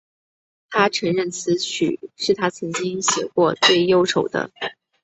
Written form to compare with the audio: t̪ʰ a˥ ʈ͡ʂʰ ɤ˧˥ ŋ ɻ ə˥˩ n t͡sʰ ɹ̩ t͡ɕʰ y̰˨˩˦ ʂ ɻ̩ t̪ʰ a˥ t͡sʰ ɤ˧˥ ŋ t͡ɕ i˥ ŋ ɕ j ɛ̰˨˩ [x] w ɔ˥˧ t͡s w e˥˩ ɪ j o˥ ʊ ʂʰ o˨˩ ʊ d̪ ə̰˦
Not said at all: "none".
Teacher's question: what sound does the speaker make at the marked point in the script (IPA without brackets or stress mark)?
k